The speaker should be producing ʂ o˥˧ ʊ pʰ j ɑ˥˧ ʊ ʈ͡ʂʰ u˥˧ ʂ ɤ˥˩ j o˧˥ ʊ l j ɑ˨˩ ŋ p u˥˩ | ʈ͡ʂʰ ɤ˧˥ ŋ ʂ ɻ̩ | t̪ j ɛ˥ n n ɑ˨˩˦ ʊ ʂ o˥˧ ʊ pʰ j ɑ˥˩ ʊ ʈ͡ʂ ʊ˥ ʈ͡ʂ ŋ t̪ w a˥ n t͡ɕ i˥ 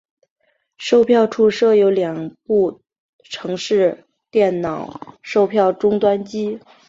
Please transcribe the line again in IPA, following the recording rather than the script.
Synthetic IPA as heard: ʂ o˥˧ ʊ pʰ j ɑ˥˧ ʊ ʈ͡ʂʰ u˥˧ ʂ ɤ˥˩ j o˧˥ ʊ l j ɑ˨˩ ŋ p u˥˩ | ʈ͡ʂʰ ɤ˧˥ ŋ ʂ ɻ̩ | t̪ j ɛ˥˩ n n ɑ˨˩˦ ʊ ʂ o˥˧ ʊ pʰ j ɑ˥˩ ʊ ʈ͡ʂ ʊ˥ ŋ t̪ w a˥ n t͡ɕ i˥

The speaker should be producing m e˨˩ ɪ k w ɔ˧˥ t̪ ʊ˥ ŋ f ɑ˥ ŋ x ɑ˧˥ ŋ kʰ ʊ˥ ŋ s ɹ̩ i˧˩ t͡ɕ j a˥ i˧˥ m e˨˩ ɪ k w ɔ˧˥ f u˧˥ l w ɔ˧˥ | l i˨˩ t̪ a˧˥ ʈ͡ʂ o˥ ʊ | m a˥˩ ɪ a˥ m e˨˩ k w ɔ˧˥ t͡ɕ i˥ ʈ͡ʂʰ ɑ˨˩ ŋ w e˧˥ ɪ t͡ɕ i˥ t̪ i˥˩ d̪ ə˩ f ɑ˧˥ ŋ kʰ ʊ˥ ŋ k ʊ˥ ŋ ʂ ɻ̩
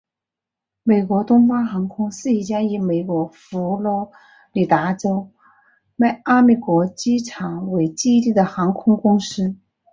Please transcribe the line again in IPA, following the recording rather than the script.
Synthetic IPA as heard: m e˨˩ ɪ k w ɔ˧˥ t̪ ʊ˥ ŋ f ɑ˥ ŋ x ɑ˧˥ ŋ kʰ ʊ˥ ŋ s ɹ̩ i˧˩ t͡ɕ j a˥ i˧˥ m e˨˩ ɪ k w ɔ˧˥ f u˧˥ l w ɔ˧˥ | l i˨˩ t̪ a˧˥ ʈ͡ʂ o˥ ʊ | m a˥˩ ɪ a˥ m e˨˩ k w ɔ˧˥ t͡ɕ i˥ ʈ͡ʂʰ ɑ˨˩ ŋ w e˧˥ ɪ t͡ɕ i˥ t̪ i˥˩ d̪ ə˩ x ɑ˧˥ ŋ kʰ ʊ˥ ŋ k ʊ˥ ŋ ʂ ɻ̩

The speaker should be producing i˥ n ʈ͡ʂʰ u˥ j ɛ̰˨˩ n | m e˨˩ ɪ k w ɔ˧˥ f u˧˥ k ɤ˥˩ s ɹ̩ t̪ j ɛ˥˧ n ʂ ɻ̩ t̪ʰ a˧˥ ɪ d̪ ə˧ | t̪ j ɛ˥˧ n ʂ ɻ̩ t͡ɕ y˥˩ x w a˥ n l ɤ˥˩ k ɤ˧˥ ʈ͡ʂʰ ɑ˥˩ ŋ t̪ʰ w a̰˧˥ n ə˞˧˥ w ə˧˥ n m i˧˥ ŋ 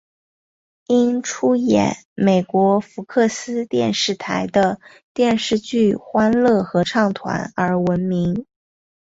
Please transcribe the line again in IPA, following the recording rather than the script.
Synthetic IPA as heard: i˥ n ʈ͡ʂʰ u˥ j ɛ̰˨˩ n | m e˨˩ ɪ k w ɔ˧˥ f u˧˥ kʰ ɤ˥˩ s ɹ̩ t̪ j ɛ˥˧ n ʂ ɻ̩ t̪ʰ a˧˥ ɪ d̪ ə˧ | t̪ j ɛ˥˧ n ʂ ɻ̩ t͡ɕ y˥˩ x w a˥ n l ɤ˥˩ x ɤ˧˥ ʈ͡ʂʰ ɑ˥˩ ŋ t̪ʰ w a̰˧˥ n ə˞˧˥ w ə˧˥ n m i˧˥ ŋ

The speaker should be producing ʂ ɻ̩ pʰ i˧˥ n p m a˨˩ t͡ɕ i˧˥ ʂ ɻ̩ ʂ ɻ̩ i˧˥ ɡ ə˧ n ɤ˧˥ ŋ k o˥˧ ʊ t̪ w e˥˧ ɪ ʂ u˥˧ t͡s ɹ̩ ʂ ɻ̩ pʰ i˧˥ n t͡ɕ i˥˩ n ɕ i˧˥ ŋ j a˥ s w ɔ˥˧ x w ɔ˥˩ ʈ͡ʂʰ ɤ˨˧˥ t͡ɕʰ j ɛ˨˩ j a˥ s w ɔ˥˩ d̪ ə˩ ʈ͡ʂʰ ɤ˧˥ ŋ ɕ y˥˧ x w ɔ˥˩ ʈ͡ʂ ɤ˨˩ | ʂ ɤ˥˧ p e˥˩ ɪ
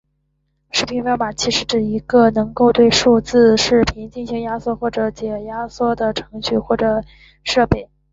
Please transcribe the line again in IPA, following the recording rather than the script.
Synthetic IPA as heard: ʂ ɻ̩ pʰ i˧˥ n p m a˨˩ t͡ɕʰ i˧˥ ʂ ɻ̩ ʈ͡ʂ ɻ̩ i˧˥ ɡ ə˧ n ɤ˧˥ ŋ k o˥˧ ʊ t̪ w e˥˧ ɪ ʂ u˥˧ t͡s ɹ̩ ʂ ɻ̩ pʰ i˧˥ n t͡ɕ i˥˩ n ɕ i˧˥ ŋ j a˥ s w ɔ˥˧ x w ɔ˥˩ ʈ͡ʂ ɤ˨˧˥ t͡ɕ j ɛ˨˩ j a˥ s w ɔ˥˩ d̪ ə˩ ʈ͡ʂʰ ɤ˧˥ ŋ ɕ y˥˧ x w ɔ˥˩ ʈ͡ʂ ɤ˨˩ | ʂ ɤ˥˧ p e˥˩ ɪ

